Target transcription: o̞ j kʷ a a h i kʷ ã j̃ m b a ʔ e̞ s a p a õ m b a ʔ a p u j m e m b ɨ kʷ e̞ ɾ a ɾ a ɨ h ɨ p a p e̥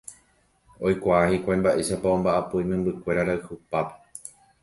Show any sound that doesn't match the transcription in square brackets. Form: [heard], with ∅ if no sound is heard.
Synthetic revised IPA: o̞ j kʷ a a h i kʷ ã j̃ m b a ʔ e̞ [ʃ] a p a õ m b a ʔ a p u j m [ẽ] m b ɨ kʷ e̞ ɾ a ɾ a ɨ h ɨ p a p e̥